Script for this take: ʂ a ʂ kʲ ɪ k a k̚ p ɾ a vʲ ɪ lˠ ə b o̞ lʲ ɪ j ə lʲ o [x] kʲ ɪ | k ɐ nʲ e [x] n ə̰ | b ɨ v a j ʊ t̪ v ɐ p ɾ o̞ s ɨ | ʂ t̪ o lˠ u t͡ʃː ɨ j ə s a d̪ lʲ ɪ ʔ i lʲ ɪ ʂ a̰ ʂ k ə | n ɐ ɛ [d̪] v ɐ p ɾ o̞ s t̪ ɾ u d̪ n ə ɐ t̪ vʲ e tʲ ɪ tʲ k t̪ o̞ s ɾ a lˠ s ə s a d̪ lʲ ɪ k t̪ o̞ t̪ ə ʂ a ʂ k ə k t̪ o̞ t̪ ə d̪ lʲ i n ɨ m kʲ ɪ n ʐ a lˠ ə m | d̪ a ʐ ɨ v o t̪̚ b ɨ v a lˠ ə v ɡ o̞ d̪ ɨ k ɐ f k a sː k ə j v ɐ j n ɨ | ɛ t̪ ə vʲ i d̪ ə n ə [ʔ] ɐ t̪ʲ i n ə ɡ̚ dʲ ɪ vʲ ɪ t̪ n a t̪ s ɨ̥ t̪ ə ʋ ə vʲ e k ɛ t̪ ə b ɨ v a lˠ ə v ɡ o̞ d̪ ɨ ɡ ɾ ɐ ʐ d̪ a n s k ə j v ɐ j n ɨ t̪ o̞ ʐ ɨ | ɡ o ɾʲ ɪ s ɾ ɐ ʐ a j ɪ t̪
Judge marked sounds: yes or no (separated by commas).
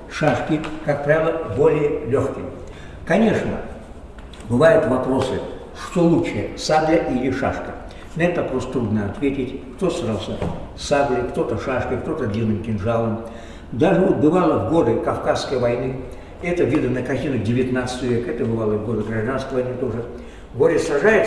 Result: yes, no, no, no